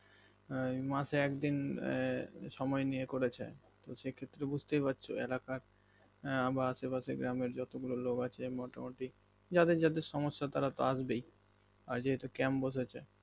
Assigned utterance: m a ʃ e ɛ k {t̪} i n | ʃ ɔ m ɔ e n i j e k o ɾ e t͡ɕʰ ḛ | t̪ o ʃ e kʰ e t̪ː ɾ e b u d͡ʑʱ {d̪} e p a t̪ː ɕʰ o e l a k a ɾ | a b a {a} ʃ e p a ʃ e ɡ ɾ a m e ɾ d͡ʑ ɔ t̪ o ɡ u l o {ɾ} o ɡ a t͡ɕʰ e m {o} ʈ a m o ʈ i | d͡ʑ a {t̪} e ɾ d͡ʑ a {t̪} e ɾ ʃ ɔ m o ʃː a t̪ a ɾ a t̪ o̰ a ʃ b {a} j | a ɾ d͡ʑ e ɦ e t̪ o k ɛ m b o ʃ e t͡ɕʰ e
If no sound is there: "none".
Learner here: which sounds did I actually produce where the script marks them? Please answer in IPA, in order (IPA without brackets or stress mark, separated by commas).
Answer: d̪, t̪, a, l, ɔ, d̪, d̪, e